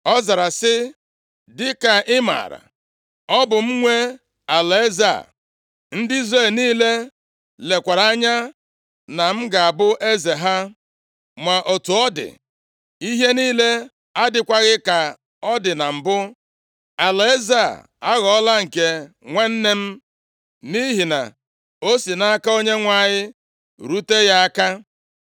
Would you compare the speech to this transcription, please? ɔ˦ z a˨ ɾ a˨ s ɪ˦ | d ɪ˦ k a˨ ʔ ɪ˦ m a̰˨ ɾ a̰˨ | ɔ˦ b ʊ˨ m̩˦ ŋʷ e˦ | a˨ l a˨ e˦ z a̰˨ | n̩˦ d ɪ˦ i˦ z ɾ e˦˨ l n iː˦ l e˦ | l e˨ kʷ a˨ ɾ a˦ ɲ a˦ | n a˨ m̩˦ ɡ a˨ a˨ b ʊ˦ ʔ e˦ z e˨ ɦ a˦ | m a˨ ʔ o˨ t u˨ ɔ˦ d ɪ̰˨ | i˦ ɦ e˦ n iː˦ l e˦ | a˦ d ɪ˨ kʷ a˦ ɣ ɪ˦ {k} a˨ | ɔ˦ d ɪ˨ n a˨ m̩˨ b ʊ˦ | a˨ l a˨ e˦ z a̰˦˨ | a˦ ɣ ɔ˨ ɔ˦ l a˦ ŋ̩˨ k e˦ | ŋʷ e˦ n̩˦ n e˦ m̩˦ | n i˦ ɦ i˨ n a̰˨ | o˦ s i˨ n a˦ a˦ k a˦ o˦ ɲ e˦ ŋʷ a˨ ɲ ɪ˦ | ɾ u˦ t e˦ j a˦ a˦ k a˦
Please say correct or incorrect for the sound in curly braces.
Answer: correct